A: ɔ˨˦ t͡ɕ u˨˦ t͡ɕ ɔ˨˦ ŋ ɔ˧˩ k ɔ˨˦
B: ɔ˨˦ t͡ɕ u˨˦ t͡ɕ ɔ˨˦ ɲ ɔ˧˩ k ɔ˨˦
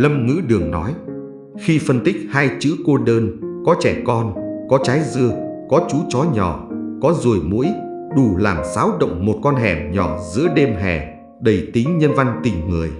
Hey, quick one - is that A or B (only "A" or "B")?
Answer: B